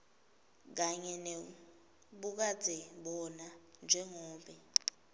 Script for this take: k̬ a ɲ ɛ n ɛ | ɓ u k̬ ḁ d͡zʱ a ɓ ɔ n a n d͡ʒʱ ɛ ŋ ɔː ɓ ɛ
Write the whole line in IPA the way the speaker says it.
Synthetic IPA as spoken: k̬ a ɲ ɛ n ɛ | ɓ u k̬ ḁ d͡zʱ ɛ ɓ ɔ n a n d͡ʒʱ ɛ ŋ ɔː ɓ ɛ